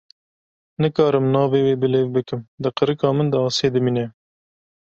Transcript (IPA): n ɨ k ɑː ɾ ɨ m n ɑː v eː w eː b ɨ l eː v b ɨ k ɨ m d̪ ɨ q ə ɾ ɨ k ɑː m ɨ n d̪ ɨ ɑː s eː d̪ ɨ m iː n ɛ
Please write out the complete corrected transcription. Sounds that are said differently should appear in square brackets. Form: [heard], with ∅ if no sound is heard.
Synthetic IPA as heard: n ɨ k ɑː ɾ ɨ m n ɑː v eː w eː b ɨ l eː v b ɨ k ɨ m d̪ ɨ q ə ɾ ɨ k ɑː m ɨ n d̪ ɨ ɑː s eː d̪ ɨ m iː n ɛ